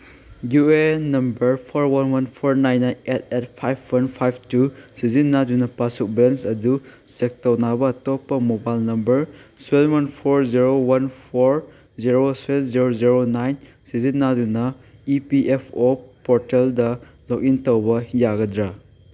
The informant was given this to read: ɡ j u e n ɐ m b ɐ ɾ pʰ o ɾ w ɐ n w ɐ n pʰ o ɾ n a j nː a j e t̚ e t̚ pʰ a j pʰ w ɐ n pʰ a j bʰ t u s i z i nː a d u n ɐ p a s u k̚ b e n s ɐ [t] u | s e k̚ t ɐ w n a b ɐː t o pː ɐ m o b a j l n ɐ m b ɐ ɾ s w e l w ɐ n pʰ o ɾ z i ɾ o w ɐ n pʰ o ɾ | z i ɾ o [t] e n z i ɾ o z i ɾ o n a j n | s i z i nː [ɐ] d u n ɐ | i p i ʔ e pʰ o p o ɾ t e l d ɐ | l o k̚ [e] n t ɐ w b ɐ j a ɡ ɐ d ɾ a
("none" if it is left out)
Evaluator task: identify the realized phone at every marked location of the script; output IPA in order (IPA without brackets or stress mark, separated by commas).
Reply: d, s, a, i